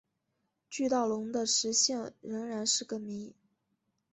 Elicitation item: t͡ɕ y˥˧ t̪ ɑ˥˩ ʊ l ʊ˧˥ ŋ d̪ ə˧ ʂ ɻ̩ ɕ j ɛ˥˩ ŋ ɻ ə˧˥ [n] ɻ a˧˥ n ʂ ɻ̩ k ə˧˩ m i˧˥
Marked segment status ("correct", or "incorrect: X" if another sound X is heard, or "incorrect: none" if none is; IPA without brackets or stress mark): incorrect: ŋ